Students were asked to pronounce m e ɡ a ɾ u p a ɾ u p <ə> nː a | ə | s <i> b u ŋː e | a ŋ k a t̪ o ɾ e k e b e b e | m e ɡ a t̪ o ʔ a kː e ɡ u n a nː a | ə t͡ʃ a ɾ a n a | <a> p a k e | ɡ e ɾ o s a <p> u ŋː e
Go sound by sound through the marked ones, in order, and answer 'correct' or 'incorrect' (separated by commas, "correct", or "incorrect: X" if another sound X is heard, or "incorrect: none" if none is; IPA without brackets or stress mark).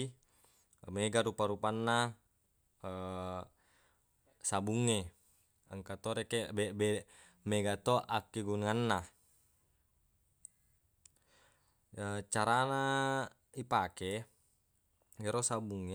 incorrect: a, incorrect: a, incorrect: i, incorrect: b